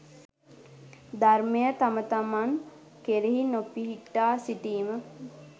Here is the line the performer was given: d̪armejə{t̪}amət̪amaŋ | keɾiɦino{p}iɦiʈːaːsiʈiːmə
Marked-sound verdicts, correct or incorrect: correct, correct

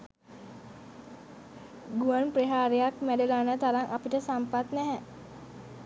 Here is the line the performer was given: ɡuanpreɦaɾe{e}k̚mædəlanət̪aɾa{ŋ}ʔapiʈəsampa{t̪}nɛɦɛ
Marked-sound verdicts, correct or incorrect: incorrect: a, correct, correct

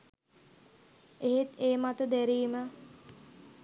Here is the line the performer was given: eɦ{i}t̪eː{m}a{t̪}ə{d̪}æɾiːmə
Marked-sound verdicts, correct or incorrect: incorrect: e, correct, correct, correct

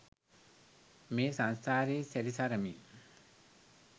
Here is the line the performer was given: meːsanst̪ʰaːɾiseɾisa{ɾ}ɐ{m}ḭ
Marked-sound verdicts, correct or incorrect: correct, correct

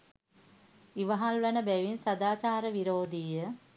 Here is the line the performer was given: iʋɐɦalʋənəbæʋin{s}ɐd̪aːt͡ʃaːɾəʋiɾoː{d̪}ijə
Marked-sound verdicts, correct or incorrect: correct, correct

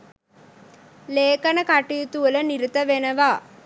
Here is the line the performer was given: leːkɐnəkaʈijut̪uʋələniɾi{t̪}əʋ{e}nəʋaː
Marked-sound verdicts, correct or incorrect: correct, correct

